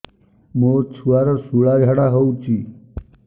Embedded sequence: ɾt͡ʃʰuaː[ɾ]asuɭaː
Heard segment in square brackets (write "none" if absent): ɾ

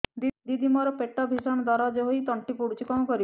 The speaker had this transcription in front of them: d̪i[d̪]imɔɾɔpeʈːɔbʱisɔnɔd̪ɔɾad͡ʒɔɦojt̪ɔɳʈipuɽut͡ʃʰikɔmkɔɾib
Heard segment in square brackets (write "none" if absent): d̪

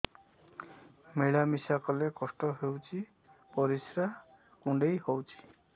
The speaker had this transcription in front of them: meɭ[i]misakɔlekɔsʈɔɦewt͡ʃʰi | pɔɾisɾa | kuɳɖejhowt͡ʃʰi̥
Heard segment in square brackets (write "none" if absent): a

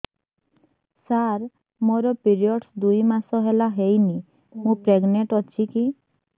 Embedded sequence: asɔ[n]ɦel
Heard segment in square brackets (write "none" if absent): none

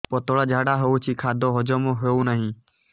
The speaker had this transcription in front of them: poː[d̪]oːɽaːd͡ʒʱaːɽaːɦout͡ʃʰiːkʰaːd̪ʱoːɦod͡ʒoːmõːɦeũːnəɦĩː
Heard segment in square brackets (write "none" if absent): t̪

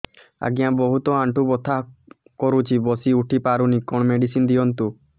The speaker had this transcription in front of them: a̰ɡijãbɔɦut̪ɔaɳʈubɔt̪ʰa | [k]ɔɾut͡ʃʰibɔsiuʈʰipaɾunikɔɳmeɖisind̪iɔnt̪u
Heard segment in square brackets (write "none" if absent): k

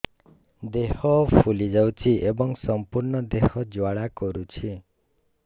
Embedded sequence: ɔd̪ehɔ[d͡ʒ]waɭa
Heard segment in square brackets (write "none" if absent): d͡ʒ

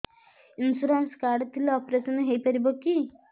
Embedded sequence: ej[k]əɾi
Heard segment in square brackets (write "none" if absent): p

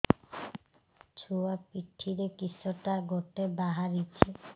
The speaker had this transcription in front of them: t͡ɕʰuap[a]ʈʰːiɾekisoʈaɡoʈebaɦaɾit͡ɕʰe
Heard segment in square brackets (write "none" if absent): i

